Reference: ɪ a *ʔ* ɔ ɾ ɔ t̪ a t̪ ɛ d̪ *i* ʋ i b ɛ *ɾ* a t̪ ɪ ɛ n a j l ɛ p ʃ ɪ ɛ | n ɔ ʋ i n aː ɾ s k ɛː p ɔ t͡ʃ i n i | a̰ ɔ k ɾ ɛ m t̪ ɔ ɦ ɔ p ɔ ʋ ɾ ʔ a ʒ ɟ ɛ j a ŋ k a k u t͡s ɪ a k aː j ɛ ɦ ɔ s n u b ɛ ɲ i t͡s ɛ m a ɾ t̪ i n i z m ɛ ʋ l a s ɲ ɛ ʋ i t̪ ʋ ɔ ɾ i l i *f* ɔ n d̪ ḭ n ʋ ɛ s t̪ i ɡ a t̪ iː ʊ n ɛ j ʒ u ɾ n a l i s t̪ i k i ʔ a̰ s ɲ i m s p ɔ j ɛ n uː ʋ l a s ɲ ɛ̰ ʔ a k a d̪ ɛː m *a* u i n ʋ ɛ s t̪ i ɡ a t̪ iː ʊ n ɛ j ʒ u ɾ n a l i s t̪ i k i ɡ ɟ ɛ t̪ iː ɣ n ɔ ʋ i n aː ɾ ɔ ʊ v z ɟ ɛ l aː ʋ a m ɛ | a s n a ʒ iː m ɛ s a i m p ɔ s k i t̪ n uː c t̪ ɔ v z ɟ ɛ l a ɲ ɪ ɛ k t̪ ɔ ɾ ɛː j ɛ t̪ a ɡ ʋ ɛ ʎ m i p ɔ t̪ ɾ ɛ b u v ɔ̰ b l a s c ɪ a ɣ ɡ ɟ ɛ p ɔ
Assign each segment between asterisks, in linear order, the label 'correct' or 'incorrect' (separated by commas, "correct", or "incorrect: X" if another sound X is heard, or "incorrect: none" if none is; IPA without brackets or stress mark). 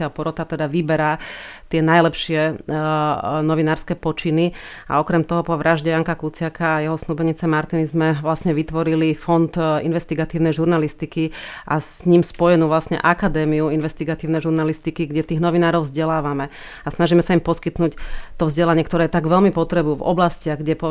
incorrect: p, incorrect: a, correct, correct, incorrect: i